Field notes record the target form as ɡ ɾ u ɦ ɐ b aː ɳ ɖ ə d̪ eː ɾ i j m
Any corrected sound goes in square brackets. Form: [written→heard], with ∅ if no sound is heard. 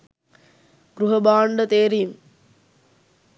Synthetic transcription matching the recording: ɡ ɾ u ɦ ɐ b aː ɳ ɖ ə [d̪→t̪] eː ɾ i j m